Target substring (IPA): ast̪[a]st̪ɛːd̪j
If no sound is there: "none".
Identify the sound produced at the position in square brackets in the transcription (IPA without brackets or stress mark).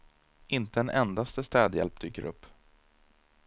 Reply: ə